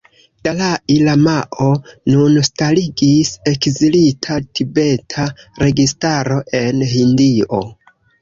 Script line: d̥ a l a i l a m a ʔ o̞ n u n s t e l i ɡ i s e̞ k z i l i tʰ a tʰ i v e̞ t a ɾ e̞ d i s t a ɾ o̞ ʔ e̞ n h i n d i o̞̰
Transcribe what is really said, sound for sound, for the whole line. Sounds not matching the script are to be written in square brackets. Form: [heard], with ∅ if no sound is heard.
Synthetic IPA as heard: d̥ a l a i l a m a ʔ o̞ n u n s t [a] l i ɡ i s e̞ k z i l i tʰ a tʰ i [b] e̞ [tʰ] a ɾ e̞ [ɡ] i s t a ɾ o̞ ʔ e̞ n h i n d i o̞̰